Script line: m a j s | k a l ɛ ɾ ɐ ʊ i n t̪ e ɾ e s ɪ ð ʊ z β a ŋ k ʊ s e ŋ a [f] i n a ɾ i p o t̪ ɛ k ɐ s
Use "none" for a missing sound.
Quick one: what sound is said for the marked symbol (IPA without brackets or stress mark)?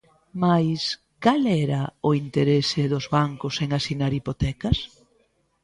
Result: s